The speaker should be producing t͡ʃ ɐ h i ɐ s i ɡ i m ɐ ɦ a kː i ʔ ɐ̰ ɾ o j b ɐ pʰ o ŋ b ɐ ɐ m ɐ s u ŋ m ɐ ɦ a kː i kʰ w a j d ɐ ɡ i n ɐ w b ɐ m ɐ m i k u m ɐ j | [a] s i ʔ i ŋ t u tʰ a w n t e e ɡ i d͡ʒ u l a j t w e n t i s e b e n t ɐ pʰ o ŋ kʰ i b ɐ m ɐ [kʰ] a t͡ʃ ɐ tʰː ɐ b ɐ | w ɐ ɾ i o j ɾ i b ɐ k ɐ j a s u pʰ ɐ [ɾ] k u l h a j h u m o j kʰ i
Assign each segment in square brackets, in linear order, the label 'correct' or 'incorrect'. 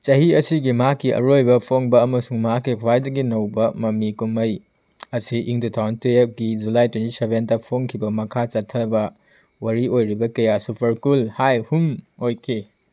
incorrect: ɐ, correct, correct

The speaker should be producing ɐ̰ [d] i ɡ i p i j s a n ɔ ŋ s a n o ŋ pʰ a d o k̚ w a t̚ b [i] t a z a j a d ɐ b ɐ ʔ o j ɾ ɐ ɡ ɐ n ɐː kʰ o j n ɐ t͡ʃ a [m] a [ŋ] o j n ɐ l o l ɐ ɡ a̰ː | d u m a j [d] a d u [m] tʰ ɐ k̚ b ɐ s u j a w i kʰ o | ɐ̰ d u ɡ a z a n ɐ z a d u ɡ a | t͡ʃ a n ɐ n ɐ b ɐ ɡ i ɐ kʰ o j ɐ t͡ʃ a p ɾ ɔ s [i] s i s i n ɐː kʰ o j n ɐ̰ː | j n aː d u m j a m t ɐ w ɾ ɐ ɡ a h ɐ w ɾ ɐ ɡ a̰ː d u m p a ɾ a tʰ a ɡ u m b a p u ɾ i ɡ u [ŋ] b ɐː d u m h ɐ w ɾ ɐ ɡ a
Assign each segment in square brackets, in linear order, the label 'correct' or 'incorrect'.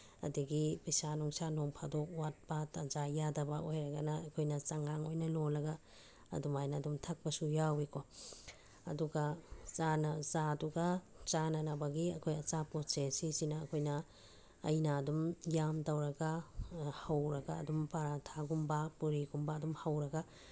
correct, incorrect: a, incorrect: ŋ, correct, incorrect: n, correct, incorrect: e, incorrect: m

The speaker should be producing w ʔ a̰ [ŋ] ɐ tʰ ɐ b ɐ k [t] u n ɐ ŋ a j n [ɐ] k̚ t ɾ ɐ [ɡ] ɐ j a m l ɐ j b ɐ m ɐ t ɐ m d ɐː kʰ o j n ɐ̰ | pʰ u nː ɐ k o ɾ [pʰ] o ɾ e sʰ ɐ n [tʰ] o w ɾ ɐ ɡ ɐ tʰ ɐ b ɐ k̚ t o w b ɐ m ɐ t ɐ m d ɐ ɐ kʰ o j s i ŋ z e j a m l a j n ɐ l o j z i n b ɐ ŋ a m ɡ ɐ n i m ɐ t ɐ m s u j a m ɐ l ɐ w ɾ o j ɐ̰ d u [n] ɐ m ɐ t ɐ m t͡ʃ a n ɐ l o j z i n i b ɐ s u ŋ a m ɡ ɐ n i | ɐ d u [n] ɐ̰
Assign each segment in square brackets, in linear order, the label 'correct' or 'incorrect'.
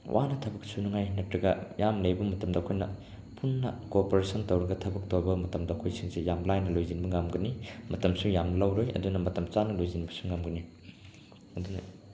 incorrect: n, incorrect: s, correct, correct, incorrect: p, incorrect: t, correct, correct

